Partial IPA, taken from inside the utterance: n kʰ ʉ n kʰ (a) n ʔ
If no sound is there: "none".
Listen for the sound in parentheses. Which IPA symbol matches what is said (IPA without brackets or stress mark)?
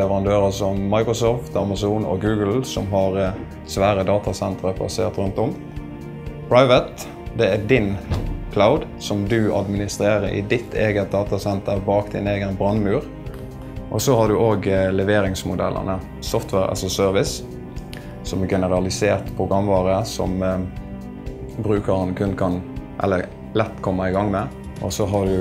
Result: ɑ